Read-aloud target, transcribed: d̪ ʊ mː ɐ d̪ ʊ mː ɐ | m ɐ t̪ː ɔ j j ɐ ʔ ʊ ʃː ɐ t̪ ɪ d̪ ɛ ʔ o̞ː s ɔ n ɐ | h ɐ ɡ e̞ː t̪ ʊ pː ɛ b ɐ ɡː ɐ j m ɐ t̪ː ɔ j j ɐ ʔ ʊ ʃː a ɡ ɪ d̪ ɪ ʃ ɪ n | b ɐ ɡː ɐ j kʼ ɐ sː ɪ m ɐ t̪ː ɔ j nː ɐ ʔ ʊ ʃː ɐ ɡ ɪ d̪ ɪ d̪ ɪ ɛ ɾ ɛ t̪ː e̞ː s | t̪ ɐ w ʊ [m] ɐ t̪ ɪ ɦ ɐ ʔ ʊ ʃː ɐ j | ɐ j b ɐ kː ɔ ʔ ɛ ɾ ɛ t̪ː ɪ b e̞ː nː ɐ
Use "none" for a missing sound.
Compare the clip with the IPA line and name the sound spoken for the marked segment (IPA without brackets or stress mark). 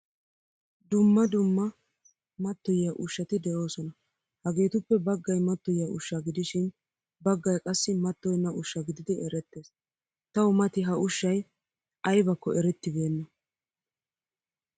m